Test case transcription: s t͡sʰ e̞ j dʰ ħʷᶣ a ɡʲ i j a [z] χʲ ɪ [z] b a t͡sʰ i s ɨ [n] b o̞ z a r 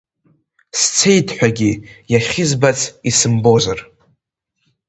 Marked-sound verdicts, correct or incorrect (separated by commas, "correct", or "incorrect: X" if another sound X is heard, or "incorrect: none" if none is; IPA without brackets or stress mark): incorrect: none, correct, incorrect: m